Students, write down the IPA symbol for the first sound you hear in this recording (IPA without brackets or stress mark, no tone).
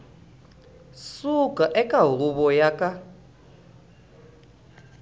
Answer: s